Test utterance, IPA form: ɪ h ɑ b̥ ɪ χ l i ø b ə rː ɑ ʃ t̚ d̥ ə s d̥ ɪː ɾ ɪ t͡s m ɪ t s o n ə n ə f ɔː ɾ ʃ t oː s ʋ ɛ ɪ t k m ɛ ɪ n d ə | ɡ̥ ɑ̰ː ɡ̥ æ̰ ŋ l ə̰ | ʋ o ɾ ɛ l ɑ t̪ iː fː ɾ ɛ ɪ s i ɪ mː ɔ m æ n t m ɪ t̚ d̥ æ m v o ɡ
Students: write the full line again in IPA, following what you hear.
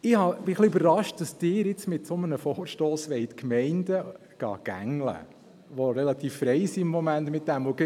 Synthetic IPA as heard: ɪ h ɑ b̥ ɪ χ l i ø b ə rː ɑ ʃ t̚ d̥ ɑ s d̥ ɪː ɾ ɪ t͡s m ɪ t s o m ə n ə f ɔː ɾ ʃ t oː s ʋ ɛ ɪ t k m ɛ ɪ n d ə | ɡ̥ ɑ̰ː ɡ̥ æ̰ ŋ l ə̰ | ʋ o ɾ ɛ l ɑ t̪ iː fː ɾ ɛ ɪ s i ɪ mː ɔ m æ n t m ɪ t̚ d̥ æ m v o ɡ